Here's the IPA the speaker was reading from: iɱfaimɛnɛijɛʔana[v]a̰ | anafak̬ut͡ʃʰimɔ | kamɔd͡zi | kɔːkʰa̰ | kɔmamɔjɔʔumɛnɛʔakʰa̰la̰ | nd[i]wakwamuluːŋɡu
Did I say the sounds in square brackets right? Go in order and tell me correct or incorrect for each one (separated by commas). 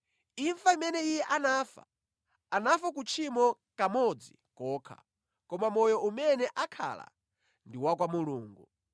incorrect, correct